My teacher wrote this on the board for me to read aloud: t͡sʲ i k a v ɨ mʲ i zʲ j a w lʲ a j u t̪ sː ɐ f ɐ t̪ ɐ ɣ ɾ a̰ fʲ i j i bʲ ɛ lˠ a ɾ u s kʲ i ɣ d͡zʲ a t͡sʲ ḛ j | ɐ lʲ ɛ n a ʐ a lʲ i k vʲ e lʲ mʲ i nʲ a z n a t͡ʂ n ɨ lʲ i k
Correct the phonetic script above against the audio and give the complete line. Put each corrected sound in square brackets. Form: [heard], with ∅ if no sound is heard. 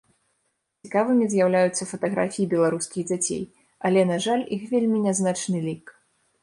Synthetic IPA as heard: t͡sʲ i k a v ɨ mʲ i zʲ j a w lʲ a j u t̪ sː ɐ f ɐ t̪ ɐ ɣ ɾ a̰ fʲ i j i bʲ ɛ lˠ a ɾ u s kʲ i ɣ d͡zʲ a t͡sʲ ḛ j | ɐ lʲ ɛ n a ʐ a lʲ i [x] vʲ e lʲ mʲ i nʲ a z n a t͡ʂ n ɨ lʲ i k